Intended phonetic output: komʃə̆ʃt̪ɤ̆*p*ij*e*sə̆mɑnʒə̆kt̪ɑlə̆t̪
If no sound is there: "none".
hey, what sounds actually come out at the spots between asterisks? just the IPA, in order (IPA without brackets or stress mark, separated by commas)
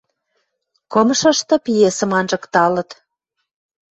p, e